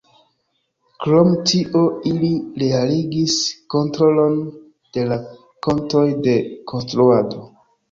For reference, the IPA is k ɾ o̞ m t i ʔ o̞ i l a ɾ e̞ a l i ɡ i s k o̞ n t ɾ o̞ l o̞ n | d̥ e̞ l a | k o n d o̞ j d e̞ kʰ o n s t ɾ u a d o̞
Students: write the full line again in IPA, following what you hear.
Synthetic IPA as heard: k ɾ o̞ m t i ʔ o̞ i l i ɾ e̞ a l i ɡ i s k o̞ n t ɾ o̞ l o̞ n | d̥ e̞ l a | k o n t o̞ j d e̞ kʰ o n s t ɾ u a d o̞